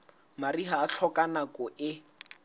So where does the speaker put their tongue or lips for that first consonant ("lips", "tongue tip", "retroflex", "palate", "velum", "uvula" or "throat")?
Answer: lips